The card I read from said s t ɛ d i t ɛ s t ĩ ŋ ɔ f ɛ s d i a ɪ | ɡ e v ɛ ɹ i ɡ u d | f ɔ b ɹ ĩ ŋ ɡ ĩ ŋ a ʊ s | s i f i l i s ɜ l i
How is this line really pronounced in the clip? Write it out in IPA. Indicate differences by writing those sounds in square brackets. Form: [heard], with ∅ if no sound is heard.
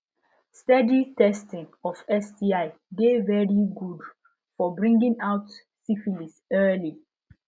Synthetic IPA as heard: s t ɛ d i t ɛ s t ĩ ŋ ɔ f ɛ s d i a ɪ | ɡ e v ɛ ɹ i ɡ u d | f ɔ b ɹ ĩ ŋ ɡ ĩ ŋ a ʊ [t] | s i f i l i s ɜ l i